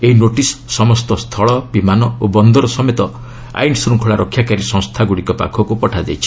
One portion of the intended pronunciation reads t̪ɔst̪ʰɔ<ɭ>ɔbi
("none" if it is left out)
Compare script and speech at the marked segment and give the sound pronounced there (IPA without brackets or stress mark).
ɭ